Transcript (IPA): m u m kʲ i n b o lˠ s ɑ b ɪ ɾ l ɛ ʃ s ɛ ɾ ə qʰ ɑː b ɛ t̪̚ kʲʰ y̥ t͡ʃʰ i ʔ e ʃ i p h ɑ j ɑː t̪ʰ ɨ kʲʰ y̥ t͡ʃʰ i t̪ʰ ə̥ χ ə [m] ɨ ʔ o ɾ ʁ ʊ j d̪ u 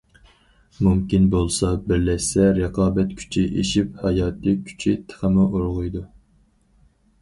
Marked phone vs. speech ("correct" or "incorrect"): correct